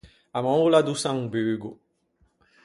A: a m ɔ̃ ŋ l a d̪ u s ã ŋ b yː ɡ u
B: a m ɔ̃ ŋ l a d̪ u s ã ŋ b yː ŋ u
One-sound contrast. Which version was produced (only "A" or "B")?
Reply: A